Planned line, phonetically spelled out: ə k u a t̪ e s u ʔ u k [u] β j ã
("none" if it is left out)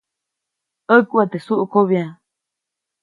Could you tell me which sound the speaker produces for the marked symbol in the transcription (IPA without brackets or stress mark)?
o